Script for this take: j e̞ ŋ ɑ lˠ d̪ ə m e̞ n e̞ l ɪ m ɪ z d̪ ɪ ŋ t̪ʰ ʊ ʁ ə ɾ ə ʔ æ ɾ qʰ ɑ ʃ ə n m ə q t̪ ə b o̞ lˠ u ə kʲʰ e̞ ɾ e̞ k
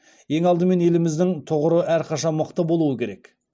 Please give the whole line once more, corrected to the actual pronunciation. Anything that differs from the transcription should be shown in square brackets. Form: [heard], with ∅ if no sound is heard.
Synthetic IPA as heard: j e̞ ŋ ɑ lˠ d̪ ə m e̞ n e̞ l ɪ m ɪ z d̪ ɪ ŋ t̪ʰ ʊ ʁ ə ɾ ə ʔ æ ɾ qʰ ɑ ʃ [ɑ] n m ə q t̪ ə b o̞ lˠ u ə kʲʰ e̞ ɾ e̞ k